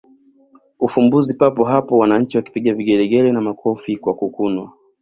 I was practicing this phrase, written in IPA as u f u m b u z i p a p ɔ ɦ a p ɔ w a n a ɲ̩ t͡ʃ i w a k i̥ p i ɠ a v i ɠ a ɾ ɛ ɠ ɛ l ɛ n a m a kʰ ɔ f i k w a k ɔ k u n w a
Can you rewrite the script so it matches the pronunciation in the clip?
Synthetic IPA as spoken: u f u m b u z i p a p ɔ ɦ a p ɔ w a n a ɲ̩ t͡ʃ i w a k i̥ p i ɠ a v i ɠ ɛ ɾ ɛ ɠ ɛ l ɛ n a m a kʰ ɔ f i k w a k u k u n w a